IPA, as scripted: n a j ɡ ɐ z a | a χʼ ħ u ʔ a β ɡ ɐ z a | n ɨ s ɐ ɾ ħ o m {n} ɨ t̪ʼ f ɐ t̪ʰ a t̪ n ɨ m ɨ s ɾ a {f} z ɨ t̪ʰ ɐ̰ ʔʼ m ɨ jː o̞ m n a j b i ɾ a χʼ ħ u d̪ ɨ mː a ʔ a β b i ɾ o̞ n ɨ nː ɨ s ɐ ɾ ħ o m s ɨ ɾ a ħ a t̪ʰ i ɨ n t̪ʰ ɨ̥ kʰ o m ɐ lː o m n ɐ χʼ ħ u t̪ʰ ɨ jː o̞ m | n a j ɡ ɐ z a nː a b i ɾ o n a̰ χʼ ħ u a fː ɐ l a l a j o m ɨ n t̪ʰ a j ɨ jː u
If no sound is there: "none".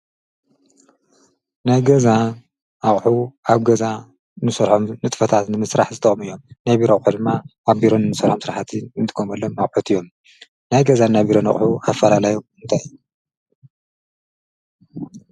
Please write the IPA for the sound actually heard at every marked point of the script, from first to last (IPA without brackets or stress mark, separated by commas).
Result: n, ħ